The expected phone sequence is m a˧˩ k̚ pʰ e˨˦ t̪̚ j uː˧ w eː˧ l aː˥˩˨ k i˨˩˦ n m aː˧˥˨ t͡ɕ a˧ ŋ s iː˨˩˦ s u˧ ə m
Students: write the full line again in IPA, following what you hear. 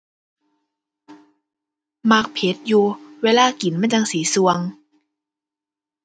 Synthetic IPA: m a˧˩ k̚ pʰ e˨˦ t̪̚ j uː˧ w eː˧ l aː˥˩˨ k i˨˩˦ n m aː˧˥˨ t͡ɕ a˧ ŋ s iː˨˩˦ s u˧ ə ŋ